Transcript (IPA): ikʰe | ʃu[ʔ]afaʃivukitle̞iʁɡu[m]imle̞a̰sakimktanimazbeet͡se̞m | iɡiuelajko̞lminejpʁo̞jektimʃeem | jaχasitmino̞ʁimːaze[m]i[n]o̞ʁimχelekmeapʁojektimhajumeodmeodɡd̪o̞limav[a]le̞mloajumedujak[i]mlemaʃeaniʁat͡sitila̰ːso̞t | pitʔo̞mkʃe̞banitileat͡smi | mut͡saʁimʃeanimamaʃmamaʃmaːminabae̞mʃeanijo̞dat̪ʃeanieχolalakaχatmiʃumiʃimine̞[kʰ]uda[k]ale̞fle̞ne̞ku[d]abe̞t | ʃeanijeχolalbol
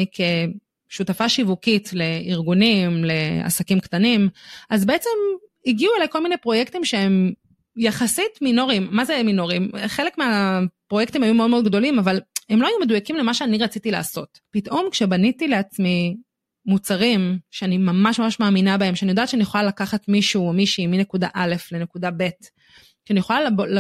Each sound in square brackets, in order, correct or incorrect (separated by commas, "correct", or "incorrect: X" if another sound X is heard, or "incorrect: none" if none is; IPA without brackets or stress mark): incorrect: t, incorrect: n, correct, correct, correct, correct, incorrect: k, incorrect: ʔ, correct